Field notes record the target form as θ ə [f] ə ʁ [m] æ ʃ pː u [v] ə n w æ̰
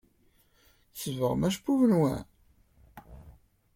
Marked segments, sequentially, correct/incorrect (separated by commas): incorrect, correct, correct